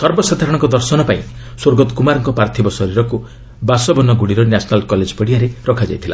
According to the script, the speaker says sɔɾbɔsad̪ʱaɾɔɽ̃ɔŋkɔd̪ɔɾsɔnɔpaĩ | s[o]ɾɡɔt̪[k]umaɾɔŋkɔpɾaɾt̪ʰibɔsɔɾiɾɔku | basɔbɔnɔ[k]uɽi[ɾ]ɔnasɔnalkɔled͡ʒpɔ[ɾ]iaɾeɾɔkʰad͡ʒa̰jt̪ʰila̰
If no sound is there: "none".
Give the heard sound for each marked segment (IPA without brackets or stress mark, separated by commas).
o, k, ɡ, ɾ, ɽ